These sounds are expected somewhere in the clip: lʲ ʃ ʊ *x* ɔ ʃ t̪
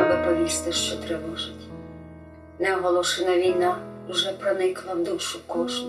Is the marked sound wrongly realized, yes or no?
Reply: yes